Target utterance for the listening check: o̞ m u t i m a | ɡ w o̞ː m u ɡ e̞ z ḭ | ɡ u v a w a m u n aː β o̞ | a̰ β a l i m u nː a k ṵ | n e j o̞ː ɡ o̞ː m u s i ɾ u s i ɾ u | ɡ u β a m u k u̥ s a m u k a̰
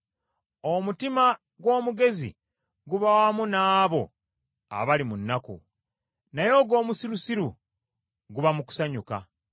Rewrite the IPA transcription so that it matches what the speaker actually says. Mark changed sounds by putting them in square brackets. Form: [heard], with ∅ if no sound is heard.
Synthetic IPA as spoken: o̞ m u t i m a | ɡ w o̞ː m u ɡ e̞ z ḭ | ɡ u [β] a w a m u n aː β o̞ | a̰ β a l i m u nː a k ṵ | n [a] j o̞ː ɡ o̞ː m u s i ɾ u s i ɾ u | ɡ u β a m u k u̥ s a [ɲ] u k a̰

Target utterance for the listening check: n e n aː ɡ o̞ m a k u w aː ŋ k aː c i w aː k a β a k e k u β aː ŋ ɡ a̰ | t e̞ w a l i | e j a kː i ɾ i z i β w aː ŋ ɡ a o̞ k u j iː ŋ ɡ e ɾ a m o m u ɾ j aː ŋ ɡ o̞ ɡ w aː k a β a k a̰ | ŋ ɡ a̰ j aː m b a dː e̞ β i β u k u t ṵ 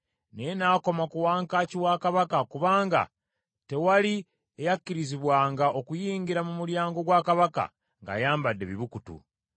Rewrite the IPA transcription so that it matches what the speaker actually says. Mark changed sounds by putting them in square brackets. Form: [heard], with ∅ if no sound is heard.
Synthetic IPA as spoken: n e n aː [k] o̞ m a k u w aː ŋ k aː c i w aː k a β a k [a] k u β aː ŋ ɡ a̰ | t e̞ w a l i | e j a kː i ɾ i z i β w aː ŋ ɡ a o̞ k u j iː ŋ ɡ [i] ɾ a m [u] m u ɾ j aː ŋ ɡ o̞ ɡ w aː k a β a k a̰ | ŋ ɡ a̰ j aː m b a dː e̞ β i β u k u t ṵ

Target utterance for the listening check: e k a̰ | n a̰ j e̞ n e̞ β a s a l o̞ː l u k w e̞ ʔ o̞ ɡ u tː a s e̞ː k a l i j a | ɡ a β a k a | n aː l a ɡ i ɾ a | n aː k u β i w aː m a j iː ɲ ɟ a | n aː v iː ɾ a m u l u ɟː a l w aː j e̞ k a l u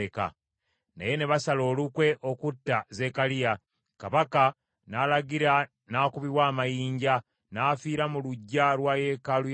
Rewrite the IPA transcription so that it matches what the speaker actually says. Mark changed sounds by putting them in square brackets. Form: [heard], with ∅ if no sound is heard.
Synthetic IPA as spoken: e k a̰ | n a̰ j e̞ n e̞ β a s a l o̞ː l u k w e̞ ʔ o̞ [k] u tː a [z] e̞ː k a l i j a | [k] a β a k a | n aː l a ɡ i ɾ a | n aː k u β i w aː m a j iː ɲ ɟ a | n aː [f] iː ɾ a m u l u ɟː a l w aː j e̞ k a l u

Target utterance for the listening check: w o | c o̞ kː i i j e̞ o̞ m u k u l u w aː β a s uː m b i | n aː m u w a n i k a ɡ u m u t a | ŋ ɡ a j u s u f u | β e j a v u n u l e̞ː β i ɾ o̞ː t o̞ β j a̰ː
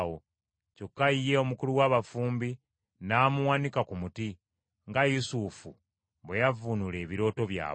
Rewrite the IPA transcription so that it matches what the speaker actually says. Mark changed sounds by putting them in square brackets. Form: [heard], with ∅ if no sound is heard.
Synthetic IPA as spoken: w o | c o̞ kː [a] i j e̞ o̞ m u k u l u w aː β a [f] uː m b i | n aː m u w a n i k a [k] u m u t [i] | ŋ ɡ a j u s u f u | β e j a v u n u l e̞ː β i ɾ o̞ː t o̞ β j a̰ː

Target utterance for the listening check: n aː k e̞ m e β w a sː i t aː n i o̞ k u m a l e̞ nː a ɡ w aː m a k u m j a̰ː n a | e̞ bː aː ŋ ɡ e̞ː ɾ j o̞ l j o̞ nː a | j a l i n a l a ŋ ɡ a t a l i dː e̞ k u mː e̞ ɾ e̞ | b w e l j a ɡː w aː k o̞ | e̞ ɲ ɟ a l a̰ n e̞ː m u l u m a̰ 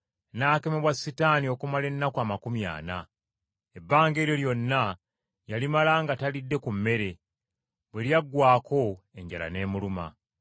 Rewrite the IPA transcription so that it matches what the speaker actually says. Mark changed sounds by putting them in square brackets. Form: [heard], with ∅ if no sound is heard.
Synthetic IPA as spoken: n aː k e̞ m e β w a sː i t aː n i o̞ k u m a l e̞ nː a [k] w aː m a k u m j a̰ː n a | e̞ bː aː ŋ ɡ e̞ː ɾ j o̞ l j o̞ nː a | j a l i [m] a l a ŋ ɡ a t a l i dː e̞ k u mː e̞ ɾ e̞ | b w e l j a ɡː w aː k o̞ | e̞ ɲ ɟ a l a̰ n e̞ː m u l u m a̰

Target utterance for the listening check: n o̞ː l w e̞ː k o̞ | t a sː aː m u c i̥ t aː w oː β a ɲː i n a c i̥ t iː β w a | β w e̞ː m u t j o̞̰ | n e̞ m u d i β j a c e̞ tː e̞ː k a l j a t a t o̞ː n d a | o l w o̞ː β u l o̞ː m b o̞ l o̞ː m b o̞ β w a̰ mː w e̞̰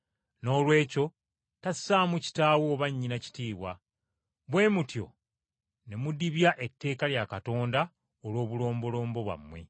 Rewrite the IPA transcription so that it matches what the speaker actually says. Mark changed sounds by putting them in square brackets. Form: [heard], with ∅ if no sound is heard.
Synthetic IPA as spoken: n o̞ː l w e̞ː [c] o̞ | t a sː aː m u c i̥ t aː w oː β a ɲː i n a c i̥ t iː β w a | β w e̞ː m u t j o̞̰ | n e̞ m u d i β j a [ʔ] e̞ tː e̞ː k a l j a [k] a t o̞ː n d a | o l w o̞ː β u l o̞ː m b o̞ l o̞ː m b o̞ β w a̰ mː w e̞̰

